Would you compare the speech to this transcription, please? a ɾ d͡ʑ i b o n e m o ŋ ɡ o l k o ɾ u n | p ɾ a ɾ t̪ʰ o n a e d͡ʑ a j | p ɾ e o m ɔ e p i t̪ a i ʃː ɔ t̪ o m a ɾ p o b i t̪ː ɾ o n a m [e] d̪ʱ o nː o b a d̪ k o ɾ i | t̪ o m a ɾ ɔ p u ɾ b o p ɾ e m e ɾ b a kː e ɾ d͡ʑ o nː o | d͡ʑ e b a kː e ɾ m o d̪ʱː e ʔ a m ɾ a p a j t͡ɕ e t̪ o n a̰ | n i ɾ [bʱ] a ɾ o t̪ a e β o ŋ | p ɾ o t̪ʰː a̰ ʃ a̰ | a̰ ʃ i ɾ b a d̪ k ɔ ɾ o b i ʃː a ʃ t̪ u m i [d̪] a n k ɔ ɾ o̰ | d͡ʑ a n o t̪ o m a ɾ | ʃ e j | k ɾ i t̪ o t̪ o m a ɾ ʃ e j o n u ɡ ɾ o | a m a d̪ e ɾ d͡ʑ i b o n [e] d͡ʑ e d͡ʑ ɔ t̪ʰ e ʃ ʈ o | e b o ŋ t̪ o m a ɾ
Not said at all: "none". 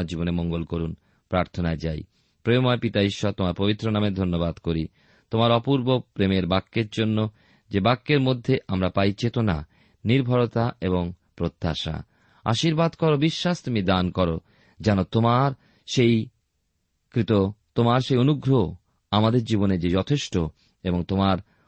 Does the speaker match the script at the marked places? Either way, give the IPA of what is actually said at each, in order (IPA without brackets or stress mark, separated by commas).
e, bʱ, d̪, e